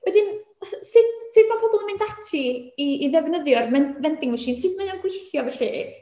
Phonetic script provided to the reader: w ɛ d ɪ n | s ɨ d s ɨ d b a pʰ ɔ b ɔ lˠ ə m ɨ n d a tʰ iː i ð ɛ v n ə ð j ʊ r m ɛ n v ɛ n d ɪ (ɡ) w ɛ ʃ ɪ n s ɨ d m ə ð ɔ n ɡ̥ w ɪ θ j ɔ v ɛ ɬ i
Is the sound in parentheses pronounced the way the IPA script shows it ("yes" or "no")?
no